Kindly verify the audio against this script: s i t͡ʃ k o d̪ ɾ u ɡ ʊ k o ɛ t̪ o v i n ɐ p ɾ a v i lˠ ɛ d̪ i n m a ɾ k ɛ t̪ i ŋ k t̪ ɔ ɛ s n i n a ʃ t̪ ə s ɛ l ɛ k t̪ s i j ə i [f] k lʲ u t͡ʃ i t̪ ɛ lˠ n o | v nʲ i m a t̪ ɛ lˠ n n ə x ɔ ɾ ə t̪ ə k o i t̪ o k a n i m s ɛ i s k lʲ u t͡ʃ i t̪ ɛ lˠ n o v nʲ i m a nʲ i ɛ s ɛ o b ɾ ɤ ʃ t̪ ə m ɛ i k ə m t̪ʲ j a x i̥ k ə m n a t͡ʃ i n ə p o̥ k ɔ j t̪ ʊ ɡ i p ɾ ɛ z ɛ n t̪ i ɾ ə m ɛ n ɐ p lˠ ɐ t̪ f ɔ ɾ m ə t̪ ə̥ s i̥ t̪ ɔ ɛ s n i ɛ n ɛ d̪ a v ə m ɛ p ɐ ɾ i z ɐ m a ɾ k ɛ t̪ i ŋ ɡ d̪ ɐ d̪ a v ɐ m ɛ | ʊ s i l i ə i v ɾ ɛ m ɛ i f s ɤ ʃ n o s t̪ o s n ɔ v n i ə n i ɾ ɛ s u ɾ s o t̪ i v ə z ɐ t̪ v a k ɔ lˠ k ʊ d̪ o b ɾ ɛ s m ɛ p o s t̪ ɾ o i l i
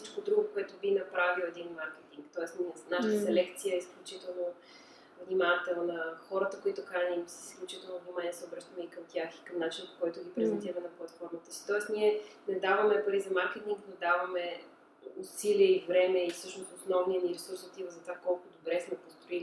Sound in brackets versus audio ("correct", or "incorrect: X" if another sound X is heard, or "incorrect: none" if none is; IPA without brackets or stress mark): incorrect: s